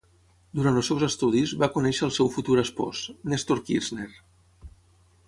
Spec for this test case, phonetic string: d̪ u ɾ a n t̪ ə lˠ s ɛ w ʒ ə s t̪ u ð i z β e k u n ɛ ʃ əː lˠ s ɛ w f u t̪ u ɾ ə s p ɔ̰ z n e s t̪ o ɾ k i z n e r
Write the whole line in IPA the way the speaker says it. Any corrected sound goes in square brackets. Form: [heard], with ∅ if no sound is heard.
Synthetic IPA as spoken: d̪ u ɾ a n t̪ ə lˠ s ɛ w [z] ə s t̪ u ð i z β [a] k u n ɛ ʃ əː lˠ s ɛ w f u t̪ u ɾ ə s p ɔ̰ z n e s t̪ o ɾ k i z n e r